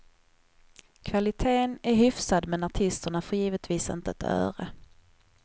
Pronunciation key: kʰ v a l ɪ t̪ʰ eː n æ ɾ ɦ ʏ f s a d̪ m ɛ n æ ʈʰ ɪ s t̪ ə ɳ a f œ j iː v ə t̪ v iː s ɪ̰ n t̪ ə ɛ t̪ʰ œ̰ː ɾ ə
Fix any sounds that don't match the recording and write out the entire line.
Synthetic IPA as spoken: kʰ v a l ɪ t̪ʰ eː n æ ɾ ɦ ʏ f s a d̪ m ɛ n a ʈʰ ɪ s t̪ ə ɳ a f œ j iː v ə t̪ v iː s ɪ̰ n t̪ ə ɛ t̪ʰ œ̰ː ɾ ə